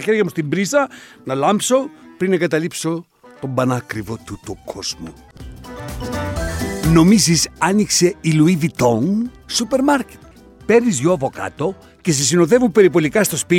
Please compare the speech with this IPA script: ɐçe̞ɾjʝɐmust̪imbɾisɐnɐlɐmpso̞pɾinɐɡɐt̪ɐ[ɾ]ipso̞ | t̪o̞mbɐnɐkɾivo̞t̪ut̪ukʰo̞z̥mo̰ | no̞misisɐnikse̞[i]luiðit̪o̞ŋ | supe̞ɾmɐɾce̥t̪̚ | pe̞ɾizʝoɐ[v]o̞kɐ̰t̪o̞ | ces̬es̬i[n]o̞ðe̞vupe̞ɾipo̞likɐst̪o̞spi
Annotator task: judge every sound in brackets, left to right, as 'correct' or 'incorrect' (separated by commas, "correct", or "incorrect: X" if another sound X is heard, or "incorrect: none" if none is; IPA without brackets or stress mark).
incorrect: l, correct, correct, correct